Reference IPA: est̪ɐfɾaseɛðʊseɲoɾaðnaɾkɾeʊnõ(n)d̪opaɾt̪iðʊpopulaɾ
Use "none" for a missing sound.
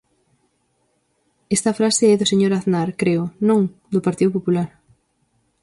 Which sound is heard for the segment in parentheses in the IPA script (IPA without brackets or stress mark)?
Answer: ŋ